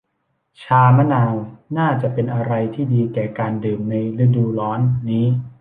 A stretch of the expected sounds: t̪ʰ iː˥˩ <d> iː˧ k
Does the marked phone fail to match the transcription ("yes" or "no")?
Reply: no